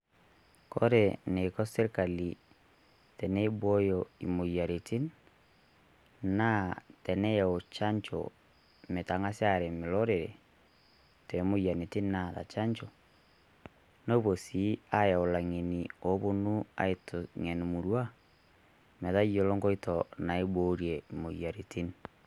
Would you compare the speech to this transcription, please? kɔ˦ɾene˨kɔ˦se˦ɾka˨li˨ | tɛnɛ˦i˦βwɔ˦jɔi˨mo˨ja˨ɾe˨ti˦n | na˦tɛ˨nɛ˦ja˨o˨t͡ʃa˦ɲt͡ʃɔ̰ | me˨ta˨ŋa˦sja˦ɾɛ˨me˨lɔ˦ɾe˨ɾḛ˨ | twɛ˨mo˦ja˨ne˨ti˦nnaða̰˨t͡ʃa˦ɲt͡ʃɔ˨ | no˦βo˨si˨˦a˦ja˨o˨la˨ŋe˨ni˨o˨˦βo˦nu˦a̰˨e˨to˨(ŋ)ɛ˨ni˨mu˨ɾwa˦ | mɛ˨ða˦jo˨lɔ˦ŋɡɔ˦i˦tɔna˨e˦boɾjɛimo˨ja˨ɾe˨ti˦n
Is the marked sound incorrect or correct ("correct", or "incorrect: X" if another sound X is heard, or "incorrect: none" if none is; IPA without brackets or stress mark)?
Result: correct